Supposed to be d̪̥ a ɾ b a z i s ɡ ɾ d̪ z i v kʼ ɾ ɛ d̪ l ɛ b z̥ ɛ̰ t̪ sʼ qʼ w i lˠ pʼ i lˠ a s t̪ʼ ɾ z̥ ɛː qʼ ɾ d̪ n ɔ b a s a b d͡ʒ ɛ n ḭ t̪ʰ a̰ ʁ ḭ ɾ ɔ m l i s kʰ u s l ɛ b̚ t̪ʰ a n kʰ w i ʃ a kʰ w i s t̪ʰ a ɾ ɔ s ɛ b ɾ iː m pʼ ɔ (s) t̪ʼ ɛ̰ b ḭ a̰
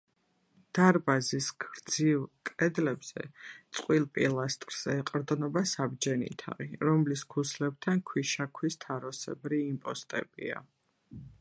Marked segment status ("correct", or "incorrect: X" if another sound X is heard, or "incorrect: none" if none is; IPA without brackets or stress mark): correct